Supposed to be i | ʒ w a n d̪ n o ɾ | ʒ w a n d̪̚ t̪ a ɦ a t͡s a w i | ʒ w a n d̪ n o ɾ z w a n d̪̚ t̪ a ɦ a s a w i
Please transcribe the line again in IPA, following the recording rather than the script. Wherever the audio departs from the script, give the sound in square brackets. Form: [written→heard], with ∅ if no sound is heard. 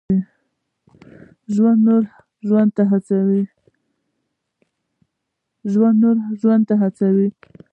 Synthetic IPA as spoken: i | ʒ w a n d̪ n o ɾ | ʒ w a n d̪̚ t̪ a ɦ a t͡s a w i | ʒ w a n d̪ n o ɾ [z→ʒ] w a n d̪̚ t̪ a ɦ a [s→t͡s] a w i